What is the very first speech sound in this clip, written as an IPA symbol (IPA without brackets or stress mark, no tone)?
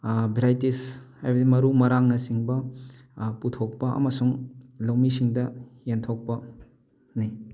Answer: b